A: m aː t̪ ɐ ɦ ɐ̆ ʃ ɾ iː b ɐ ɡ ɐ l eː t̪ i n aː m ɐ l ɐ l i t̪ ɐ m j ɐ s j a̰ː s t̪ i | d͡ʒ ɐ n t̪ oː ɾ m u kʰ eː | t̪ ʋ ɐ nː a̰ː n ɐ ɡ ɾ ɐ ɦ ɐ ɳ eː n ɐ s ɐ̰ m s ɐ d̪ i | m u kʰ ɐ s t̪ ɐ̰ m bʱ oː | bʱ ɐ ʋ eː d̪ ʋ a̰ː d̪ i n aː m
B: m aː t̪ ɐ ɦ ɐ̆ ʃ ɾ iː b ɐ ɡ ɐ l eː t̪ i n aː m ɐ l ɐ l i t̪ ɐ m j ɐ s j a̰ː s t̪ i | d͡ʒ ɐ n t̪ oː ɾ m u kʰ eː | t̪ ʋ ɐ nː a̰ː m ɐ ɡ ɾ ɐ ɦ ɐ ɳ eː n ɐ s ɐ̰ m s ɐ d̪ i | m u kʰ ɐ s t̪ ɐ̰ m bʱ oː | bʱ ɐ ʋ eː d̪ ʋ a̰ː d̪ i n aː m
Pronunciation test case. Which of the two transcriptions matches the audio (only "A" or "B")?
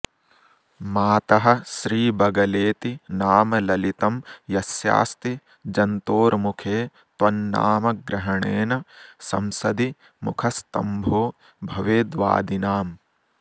B